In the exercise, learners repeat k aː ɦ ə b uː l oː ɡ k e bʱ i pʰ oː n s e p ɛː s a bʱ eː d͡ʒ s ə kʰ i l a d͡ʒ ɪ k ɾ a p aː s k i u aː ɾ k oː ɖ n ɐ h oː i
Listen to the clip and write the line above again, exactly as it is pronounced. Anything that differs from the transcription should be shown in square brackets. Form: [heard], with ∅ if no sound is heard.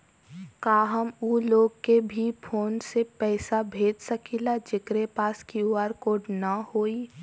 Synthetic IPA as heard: k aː ɦ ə [m] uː l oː ɡ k e bʱ i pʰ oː n s e p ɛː s a bʱ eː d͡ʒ s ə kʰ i l a d͡ʒ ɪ k ɾ [e] p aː s k i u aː ɾ k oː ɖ n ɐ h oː i

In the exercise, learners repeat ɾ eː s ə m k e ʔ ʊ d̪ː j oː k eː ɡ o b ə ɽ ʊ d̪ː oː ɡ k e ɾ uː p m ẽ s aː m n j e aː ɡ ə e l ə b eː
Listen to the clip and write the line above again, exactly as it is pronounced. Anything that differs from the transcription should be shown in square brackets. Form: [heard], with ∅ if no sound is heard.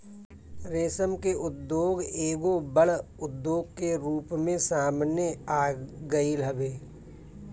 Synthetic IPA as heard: ɾ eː s ə m k e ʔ ʊ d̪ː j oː [ɡ] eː ɡ o b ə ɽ ʊ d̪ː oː ɡ k e ɾ uː p m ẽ s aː m n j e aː ɡ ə [i] l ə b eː

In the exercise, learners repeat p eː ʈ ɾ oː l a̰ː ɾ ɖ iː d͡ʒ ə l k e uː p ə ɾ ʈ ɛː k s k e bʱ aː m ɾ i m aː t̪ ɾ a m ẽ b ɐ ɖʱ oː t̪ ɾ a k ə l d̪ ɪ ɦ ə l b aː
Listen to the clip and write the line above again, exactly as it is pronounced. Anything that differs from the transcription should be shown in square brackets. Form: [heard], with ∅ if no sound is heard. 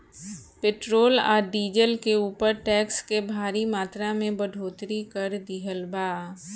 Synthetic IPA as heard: p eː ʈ ɾ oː l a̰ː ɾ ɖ iː d͡ʒ ə l k e uː p ə ɾ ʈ ɛː k s k e bʱ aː [∅] ɾ i m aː t̪ ɾ a m ẽ b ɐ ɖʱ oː t̪ ɾ [i] k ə [ɾ] d̪ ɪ ɦ ə l b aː

